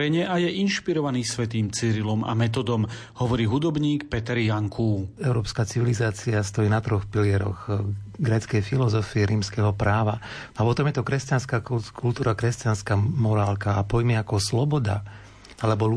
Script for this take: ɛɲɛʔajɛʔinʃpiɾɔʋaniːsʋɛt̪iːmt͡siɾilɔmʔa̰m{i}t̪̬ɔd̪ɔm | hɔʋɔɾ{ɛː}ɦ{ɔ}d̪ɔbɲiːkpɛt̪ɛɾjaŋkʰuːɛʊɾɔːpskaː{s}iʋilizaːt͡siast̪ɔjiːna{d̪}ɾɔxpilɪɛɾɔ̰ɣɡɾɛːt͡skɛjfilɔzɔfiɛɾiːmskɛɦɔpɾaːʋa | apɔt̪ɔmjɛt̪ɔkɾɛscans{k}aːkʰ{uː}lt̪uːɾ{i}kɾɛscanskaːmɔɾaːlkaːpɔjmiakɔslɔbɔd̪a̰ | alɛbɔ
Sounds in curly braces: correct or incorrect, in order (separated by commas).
incorrect, incorrect, incorrect, incorrect, incorrect, correct, incorrect, incorrect